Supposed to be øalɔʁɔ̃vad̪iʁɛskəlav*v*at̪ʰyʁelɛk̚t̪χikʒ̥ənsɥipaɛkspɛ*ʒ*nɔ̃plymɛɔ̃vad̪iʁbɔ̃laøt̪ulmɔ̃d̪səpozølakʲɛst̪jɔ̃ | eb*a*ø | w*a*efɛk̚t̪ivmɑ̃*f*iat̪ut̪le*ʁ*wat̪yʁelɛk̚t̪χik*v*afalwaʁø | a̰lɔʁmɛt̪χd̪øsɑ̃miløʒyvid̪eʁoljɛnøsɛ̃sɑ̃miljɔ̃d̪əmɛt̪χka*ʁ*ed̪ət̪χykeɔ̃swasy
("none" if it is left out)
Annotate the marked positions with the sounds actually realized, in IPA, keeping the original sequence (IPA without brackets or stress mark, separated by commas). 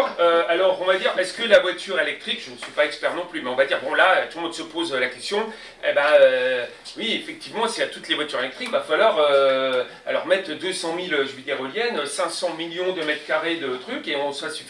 w, ʁ, a, i, s, v, v, ʁ